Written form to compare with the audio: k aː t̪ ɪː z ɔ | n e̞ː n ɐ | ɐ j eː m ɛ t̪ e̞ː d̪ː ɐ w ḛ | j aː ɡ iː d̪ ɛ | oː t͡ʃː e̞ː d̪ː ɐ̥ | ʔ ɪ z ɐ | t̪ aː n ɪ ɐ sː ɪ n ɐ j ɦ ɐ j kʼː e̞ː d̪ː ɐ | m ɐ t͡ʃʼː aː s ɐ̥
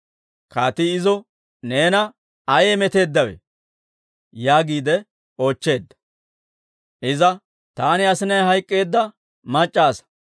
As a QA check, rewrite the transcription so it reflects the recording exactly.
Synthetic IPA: k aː t̪ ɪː z ɔ | n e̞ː n ɐ | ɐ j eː m ɛ t̪ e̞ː d̪ː ɐ w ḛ | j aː ɡ iː d̪ ɛ | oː t͡ʃː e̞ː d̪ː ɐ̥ | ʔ ɪ z ɐ | t̪ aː n ɪ ɐ s ɪ n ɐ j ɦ ɐ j kʼː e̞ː d̪ː ɐ | m ɐ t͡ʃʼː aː s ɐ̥